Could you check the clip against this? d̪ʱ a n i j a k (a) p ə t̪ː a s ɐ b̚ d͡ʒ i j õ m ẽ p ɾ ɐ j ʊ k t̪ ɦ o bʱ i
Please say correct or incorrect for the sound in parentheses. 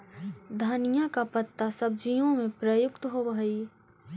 correct